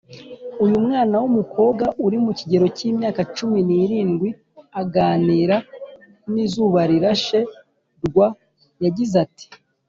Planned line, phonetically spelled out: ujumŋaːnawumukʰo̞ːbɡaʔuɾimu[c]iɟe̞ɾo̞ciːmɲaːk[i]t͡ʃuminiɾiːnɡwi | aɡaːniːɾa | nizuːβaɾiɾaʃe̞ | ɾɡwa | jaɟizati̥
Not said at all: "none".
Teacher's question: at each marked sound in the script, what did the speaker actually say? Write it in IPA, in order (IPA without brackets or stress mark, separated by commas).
c, a